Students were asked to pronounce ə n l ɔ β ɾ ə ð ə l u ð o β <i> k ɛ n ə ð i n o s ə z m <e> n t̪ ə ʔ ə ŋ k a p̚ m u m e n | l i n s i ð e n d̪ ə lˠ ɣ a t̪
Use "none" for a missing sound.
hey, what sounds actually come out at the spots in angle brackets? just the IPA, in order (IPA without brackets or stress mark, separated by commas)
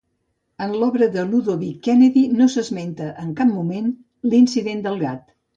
i, e